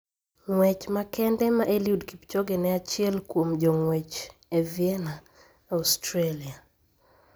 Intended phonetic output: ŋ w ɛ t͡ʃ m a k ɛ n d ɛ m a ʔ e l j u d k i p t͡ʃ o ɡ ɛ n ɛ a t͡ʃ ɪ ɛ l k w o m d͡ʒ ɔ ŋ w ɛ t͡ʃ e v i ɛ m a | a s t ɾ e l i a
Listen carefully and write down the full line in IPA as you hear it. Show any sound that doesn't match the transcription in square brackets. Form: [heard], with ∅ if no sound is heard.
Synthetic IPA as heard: ŋ w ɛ t͡ʃ m a k ɛ n d ɛ m a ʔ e l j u d k i p t͡ʃ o ɡ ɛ n ɛ a t͡ʃ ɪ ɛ l k w o m d͡ʒ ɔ ŋ w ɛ t͡ʃ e v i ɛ [n] a | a s t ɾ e l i a